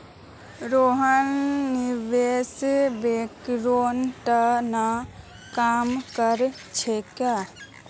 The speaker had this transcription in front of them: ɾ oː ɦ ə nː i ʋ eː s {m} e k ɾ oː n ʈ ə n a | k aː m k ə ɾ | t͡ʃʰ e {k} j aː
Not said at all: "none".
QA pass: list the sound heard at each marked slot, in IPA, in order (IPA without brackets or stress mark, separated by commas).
b, k